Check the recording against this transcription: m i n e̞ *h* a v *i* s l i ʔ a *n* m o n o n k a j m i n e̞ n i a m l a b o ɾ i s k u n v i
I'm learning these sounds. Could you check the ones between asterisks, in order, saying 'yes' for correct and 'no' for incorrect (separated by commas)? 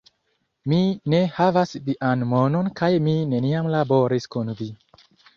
yes, no, yes